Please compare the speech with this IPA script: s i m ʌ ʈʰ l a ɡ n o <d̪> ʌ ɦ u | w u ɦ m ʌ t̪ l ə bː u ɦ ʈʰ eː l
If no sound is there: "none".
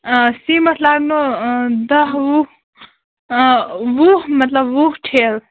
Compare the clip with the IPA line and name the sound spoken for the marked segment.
d̪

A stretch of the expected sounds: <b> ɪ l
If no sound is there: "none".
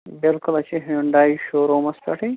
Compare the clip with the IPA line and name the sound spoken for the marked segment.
b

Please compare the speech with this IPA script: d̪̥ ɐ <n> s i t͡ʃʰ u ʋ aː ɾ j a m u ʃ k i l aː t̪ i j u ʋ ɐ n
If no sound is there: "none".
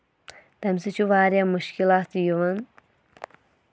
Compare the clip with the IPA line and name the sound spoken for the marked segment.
m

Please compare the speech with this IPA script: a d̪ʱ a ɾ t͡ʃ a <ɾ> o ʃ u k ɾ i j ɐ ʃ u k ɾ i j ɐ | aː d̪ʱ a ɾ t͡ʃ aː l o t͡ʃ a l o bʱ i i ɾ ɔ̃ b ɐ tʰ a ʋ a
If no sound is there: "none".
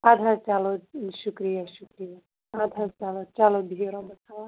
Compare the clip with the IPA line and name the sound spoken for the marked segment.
l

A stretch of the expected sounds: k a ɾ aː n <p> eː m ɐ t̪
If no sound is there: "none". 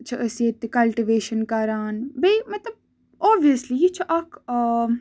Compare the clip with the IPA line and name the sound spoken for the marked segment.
b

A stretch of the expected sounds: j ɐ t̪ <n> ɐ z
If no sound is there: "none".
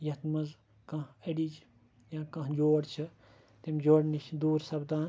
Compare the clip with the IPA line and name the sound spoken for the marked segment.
m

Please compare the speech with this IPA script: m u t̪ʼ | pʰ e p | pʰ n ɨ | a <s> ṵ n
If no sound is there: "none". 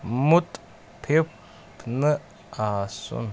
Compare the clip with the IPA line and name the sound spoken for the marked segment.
s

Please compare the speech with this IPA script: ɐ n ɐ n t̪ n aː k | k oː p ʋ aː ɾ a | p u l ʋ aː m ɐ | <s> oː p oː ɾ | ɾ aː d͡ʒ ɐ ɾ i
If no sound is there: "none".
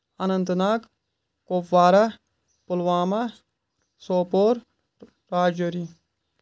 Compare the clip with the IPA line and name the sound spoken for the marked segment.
s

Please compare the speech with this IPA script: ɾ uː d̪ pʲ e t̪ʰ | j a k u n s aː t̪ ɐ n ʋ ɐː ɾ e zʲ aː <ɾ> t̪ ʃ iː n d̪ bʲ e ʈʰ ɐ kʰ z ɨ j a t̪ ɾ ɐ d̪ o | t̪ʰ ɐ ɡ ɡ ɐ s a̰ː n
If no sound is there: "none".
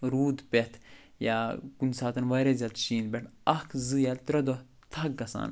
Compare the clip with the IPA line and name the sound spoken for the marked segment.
none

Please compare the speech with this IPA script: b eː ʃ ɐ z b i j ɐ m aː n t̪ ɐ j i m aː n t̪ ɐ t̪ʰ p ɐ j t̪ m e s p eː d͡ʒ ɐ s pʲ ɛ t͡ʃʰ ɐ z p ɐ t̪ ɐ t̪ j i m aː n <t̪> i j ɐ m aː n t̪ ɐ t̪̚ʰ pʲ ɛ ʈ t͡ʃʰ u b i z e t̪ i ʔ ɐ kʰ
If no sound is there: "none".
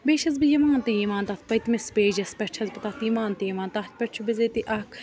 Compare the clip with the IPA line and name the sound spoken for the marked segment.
t̪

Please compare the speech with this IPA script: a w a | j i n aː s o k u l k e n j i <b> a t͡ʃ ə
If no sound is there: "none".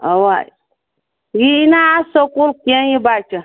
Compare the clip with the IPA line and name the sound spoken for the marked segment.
b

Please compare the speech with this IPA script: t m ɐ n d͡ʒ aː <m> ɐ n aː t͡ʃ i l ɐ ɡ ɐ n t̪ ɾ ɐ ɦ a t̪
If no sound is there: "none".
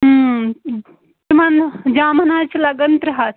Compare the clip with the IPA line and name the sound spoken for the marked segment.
m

